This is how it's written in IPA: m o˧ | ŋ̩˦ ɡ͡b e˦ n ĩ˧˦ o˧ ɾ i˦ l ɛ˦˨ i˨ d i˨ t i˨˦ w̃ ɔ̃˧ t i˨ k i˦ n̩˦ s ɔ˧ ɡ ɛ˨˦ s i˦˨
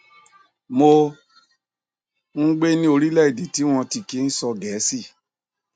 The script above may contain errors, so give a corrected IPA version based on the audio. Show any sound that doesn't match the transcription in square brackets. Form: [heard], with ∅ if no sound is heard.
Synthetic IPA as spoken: m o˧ | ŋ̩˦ ɡ͡b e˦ n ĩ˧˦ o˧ ɾ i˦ l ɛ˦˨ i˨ d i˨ t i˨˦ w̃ ɔ̃˧ t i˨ k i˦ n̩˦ s ɔ˧ ɡ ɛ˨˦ s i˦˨